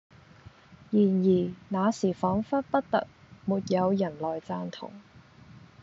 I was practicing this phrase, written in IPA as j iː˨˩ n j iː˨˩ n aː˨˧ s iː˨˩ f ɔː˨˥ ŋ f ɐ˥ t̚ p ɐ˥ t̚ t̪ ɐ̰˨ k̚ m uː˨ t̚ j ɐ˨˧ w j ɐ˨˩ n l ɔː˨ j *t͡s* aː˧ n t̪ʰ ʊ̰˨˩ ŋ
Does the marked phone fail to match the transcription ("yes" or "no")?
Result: no